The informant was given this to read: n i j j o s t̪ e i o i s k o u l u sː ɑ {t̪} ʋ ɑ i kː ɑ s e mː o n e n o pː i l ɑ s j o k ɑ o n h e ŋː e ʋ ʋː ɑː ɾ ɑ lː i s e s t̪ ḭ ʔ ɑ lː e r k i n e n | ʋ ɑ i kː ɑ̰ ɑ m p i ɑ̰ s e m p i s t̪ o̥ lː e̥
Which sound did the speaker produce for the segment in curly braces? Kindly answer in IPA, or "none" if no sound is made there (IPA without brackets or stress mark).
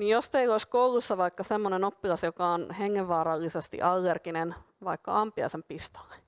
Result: none